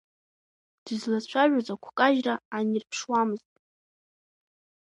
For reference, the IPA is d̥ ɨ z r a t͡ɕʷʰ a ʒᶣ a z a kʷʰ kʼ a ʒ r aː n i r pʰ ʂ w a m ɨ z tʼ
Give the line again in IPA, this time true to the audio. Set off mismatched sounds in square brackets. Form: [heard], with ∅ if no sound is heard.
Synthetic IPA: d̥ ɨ z [l] a t͡ɕʷʰ a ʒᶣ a z a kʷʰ kʼ a ʒ r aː n i r pʰ ʂ w a m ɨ z tʼ